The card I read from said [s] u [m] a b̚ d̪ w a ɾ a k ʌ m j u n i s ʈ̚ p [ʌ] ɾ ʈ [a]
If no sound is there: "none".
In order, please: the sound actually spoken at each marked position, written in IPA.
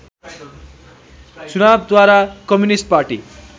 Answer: t͡s, n, a, i

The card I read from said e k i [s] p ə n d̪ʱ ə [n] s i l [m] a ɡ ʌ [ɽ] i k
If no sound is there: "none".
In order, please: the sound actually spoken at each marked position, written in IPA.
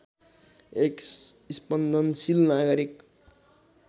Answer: s, n, n, ɾ

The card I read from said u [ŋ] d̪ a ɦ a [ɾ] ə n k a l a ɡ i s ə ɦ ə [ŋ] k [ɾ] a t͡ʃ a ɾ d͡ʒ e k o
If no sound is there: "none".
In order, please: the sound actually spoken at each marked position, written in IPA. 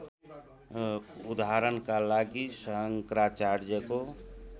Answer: none, ɾ, ŋ, ɾ

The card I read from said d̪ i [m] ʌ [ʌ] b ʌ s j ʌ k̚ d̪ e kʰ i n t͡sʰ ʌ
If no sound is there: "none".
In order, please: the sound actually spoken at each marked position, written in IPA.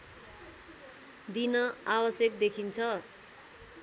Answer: n, a

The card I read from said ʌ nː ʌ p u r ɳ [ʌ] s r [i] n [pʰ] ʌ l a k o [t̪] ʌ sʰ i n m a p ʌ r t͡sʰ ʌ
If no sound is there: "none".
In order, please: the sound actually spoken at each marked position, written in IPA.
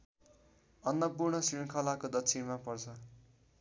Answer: ʌ, i, kʰ, d̪

